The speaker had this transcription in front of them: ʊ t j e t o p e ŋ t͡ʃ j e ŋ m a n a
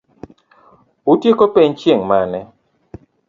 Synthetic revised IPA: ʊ t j e k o p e ɲ t͡ʃ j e ŋ m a n ɛ